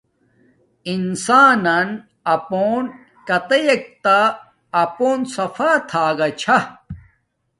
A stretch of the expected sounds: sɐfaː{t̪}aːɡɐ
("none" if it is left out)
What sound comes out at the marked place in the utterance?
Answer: t̪ʰ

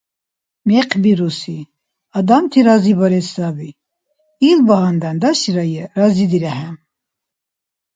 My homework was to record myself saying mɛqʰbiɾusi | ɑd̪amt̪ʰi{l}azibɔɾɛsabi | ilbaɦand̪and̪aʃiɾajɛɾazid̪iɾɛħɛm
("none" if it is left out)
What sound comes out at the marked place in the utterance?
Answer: ɾ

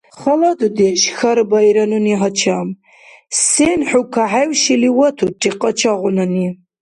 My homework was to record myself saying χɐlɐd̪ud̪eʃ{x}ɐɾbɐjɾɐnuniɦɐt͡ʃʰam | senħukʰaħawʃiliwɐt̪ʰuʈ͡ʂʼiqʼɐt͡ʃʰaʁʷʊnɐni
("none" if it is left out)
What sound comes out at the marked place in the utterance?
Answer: x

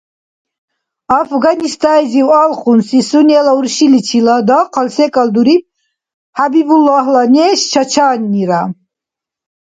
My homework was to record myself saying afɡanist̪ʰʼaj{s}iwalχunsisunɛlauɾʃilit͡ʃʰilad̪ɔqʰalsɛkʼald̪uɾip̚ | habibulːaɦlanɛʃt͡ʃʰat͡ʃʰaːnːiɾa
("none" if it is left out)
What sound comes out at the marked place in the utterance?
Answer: z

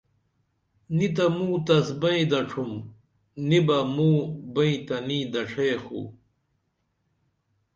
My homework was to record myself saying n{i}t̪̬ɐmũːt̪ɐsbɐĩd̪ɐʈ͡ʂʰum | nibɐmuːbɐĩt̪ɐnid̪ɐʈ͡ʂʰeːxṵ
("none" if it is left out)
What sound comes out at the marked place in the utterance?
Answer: i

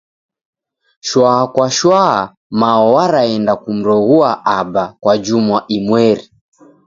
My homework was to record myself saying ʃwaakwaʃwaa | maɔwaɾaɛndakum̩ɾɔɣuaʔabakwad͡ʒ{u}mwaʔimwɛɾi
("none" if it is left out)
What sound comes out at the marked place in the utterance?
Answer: u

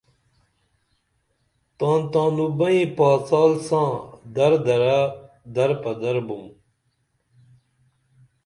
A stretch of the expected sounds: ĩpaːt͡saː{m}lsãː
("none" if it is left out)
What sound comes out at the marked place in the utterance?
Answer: none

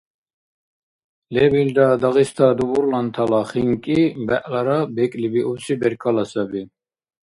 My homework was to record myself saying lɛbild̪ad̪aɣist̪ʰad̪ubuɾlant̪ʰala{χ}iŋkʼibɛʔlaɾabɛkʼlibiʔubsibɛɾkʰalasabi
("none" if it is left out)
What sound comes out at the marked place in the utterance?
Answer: χ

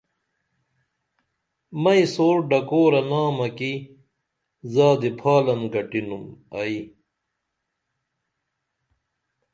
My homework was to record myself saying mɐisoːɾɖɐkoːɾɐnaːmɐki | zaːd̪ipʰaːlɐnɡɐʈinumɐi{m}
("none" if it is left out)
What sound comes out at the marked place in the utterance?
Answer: none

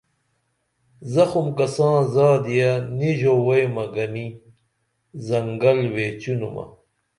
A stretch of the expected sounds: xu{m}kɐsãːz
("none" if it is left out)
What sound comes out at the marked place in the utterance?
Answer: m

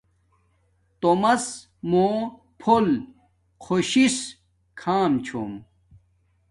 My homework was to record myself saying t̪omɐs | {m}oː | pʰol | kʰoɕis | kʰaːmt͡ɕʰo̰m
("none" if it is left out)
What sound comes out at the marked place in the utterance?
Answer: m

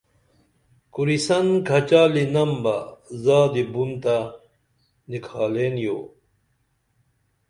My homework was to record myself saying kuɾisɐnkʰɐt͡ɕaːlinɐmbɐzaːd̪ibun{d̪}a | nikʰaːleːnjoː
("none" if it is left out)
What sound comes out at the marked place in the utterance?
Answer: t̪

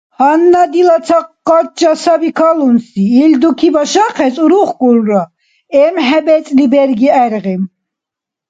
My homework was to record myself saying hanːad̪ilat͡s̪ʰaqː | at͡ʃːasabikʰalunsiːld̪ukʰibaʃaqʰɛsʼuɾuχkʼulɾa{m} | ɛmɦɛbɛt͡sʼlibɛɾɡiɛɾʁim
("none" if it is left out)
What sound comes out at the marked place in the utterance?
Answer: none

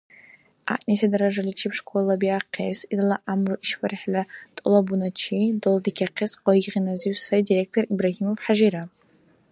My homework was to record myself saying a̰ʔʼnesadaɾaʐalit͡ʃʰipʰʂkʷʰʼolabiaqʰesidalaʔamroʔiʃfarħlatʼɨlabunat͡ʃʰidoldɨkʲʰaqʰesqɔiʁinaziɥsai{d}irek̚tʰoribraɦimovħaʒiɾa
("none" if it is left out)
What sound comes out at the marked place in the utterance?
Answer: d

